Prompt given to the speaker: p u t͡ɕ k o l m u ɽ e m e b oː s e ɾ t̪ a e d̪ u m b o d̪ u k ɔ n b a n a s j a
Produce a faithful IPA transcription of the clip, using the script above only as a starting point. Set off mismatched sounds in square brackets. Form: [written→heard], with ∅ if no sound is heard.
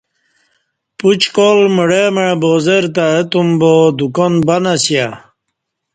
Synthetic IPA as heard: p u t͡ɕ k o l m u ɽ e m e b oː [s→z] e ɾ t̪ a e [d̪→t̪] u m b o d̪ u k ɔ n b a n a s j a